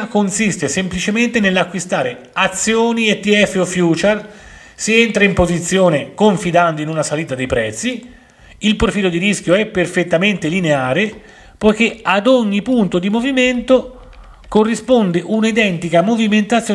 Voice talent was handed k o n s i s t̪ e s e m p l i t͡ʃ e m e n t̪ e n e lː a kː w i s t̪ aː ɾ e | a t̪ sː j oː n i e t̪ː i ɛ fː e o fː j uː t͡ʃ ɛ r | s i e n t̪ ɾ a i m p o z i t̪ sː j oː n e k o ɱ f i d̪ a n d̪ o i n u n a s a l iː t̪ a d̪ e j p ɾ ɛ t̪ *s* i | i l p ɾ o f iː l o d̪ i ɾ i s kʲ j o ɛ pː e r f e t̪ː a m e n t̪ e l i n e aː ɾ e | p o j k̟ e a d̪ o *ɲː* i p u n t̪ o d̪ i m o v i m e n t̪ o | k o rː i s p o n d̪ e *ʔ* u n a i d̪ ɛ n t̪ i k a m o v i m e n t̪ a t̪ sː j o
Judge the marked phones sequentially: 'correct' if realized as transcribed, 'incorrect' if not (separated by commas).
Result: incorrect, correct, correct